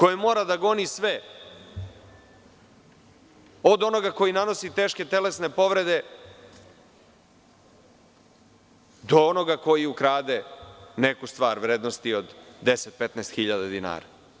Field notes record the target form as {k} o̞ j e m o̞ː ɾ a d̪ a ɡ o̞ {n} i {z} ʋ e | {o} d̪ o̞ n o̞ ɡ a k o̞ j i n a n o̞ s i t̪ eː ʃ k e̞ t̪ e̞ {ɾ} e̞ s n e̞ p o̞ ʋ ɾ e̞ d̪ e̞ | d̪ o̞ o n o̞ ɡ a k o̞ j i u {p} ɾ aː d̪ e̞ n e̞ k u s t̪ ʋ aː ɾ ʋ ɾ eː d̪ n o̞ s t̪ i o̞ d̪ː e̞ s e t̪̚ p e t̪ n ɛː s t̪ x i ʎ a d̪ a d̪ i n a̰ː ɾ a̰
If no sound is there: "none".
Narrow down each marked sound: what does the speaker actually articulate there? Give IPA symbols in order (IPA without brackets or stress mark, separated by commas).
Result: k, n, s, o, l, k